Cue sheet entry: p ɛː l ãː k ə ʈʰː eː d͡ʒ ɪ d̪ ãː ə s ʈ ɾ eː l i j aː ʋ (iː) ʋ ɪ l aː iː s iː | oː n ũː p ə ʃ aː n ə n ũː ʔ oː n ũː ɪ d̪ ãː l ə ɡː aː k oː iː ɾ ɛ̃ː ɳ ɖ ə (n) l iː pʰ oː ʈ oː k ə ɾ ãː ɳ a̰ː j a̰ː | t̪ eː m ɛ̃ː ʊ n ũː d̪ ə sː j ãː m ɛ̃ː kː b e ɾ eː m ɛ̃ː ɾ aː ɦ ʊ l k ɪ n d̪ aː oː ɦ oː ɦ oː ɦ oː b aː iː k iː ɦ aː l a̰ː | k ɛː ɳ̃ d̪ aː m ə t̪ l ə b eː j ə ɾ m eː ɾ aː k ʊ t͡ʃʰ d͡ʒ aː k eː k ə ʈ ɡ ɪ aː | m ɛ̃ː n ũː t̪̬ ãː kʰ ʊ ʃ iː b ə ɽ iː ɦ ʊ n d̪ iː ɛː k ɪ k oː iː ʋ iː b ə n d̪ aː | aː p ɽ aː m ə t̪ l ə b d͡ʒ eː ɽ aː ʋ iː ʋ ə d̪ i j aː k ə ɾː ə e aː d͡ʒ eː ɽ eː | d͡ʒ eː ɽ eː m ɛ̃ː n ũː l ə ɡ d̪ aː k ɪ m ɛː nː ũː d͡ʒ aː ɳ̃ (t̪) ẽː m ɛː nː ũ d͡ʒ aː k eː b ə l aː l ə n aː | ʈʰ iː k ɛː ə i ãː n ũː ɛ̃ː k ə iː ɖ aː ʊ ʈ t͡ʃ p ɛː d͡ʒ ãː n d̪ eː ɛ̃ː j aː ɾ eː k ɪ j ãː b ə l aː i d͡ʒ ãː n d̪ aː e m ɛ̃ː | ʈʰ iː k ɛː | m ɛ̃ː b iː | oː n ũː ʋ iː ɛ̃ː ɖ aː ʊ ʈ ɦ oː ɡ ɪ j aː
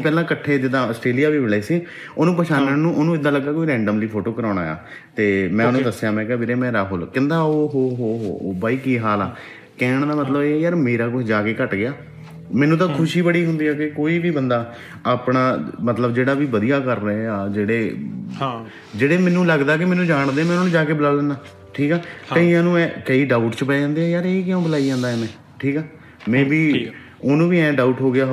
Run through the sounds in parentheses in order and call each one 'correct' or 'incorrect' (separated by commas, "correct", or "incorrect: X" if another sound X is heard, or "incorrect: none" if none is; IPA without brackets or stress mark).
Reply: correct, incorrect: m, incorrect: d̪